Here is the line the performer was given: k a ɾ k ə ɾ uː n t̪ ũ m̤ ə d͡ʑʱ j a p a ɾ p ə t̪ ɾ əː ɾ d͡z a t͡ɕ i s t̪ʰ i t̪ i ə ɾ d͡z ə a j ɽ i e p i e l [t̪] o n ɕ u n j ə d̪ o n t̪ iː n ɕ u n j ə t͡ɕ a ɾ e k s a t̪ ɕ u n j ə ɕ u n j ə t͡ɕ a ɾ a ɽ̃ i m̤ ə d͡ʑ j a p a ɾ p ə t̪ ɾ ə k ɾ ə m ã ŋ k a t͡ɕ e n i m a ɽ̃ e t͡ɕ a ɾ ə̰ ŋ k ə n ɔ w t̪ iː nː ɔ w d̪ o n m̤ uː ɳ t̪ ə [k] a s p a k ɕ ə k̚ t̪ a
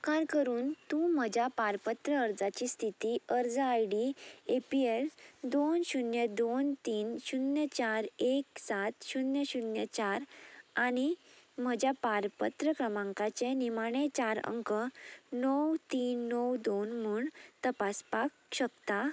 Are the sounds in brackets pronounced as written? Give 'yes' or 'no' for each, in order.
no, no

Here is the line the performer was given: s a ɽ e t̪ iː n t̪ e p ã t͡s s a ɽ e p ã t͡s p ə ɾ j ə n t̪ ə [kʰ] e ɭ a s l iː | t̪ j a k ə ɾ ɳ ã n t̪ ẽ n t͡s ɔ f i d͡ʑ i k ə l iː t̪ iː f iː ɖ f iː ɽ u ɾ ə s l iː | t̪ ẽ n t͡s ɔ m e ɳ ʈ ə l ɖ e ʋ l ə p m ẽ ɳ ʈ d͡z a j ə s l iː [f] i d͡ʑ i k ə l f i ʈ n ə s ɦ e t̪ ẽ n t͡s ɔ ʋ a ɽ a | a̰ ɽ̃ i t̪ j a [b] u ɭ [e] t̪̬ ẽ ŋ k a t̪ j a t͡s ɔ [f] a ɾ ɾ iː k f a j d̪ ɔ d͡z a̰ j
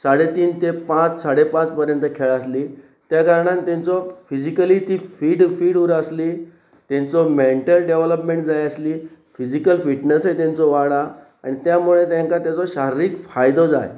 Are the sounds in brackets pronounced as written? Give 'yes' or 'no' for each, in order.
yes, yes, no, yes, no

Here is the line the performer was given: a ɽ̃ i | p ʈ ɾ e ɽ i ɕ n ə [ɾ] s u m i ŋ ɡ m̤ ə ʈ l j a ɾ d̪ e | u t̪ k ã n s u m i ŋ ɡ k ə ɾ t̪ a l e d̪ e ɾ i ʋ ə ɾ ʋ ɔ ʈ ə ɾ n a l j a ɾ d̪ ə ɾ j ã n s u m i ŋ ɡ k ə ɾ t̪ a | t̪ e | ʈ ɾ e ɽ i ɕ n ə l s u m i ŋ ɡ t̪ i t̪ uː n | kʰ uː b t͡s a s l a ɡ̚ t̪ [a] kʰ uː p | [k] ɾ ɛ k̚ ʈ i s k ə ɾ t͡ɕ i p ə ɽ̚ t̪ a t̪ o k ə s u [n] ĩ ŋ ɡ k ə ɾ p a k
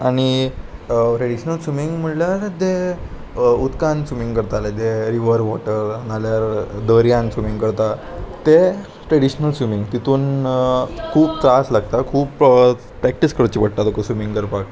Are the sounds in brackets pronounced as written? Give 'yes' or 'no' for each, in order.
no, yes, no, no

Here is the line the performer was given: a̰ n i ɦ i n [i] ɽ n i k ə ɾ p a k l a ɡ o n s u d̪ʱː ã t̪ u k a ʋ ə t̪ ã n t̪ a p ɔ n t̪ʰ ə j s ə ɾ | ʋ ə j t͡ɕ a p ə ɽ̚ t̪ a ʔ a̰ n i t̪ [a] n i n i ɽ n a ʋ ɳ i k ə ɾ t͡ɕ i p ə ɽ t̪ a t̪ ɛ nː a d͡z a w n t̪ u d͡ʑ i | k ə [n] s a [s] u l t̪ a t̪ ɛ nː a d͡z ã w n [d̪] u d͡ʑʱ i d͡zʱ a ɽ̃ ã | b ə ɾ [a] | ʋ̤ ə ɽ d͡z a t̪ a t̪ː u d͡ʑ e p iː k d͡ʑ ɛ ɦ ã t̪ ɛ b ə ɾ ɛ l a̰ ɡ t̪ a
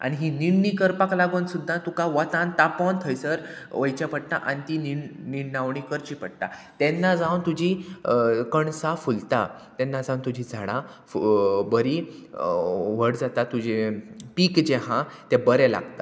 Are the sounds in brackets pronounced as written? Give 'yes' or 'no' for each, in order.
yes, no, no, no, no, no

